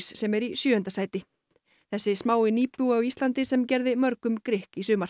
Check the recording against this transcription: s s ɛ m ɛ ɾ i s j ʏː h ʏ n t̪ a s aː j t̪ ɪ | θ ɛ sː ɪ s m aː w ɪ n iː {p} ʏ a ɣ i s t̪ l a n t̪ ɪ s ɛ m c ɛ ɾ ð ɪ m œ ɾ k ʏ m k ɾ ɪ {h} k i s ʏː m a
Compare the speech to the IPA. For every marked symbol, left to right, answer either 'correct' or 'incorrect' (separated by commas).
correct, correct